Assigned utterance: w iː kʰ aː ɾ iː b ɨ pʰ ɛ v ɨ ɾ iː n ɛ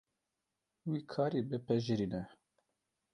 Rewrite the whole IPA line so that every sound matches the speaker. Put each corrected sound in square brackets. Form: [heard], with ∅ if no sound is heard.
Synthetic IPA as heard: w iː kʰ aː ɾ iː b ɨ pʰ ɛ [ʒ] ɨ ɾ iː n ɛ